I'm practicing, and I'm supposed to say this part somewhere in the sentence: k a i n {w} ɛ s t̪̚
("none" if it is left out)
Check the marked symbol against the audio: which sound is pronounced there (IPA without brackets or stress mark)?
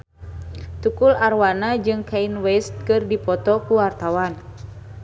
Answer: w